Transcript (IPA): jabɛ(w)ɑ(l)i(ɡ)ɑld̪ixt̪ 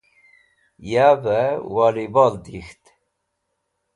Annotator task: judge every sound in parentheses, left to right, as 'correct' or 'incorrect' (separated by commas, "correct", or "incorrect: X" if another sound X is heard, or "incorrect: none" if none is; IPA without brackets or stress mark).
correct, correct, incorrect: b